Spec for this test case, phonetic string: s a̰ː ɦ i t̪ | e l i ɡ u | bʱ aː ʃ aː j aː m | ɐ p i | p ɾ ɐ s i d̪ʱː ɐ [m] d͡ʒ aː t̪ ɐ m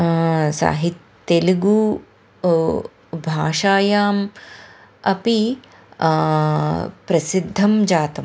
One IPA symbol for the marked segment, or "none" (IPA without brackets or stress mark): m